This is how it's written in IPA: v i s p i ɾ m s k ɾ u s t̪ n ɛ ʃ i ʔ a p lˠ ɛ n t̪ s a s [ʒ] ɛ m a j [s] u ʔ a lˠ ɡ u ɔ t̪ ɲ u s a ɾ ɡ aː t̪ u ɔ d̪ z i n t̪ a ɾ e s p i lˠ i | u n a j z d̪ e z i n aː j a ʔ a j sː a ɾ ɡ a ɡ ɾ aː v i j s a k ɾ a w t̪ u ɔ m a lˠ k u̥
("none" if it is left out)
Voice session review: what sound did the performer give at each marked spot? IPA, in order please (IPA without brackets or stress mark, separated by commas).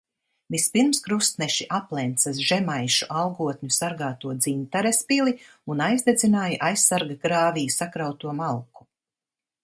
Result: ʒ, ʃ